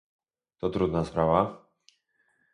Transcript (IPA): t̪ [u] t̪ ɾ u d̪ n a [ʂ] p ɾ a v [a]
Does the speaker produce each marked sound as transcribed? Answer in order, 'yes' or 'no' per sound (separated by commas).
no, no, yes